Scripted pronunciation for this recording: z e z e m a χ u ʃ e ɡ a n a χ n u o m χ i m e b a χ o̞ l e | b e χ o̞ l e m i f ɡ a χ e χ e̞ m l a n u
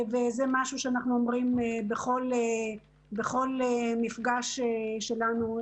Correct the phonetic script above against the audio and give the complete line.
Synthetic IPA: v e z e m a ʃ u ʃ e a n a χ n u o m ʁ i m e b e χ o̞ l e | b e χ o̞ l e m i f ɡ a ʃ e ʃ e̞ l a n u

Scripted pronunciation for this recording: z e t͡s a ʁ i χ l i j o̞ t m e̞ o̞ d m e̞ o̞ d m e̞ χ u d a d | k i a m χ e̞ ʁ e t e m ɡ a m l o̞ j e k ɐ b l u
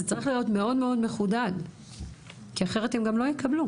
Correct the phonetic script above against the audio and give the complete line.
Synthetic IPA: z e t͡s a ʁ i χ l i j o̞ t m e̞ o̞ d m e̞ o̞ d m e̞ χ u d a d | k i a χ e̞ ʁ e t e m ɡ a m l o̞ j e k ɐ b l u

